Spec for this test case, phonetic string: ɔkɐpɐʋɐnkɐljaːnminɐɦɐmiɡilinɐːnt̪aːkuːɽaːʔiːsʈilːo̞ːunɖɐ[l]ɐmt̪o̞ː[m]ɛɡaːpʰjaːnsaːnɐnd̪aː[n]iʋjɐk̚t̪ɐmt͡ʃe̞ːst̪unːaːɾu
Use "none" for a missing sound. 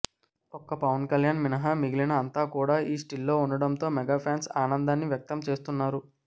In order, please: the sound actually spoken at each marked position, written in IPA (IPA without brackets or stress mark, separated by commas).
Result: ɽ, m, nː